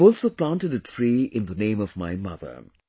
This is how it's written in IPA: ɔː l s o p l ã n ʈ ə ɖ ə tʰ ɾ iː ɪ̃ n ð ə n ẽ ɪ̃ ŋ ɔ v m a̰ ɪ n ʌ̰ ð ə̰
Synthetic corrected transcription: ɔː l s o p l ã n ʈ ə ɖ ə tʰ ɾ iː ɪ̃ n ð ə n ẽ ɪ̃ m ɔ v m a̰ ɪ m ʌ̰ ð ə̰